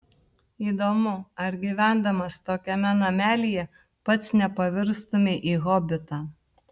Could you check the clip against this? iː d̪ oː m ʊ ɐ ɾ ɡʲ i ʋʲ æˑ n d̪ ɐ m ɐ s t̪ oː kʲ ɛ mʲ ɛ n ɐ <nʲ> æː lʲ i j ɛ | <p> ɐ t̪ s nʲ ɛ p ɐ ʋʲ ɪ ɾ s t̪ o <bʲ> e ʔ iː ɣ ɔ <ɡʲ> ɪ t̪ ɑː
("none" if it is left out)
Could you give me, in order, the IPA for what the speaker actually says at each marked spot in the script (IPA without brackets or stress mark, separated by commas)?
mʲ, p, mʲ, bʲ